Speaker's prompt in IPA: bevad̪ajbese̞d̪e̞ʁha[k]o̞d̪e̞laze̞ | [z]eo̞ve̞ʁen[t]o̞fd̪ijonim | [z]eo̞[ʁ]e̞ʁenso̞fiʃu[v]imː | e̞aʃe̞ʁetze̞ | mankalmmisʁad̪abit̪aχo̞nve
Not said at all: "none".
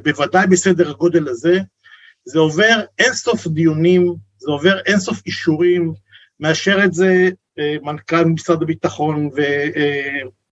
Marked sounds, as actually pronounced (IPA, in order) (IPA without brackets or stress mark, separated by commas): ɡ, z, s, z, v, ʁ